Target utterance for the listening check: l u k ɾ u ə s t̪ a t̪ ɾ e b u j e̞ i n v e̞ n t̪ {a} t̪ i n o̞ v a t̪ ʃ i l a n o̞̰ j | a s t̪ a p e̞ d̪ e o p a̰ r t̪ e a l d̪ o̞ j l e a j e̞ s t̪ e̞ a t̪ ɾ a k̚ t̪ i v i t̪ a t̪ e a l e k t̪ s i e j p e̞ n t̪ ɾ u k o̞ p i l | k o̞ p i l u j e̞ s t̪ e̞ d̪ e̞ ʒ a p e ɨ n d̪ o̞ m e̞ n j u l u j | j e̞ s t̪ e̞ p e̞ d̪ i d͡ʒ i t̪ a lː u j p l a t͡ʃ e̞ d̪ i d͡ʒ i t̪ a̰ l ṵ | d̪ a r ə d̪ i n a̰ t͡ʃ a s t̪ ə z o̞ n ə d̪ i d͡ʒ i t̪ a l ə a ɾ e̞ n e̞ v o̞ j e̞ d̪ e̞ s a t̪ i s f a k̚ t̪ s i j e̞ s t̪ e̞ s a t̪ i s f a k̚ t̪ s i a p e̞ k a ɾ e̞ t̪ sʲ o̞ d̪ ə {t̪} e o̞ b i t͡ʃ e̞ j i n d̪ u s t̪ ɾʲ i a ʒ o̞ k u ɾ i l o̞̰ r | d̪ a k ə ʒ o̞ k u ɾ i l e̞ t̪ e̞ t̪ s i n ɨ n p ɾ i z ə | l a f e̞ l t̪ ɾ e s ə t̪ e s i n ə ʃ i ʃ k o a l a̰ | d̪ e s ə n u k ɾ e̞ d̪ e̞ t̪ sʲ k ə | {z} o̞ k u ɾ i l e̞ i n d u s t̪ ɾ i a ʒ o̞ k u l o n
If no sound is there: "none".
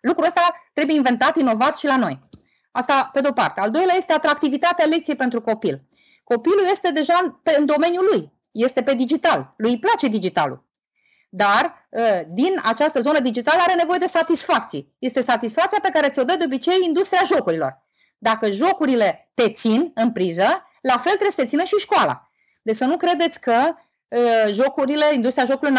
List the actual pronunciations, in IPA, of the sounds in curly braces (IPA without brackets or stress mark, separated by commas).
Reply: a, d̪, ʒ